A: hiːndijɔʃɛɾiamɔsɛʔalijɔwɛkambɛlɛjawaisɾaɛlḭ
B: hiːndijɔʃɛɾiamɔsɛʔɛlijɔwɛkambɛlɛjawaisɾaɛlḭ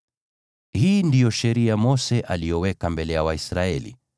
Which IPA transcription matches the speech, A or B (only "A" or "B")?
A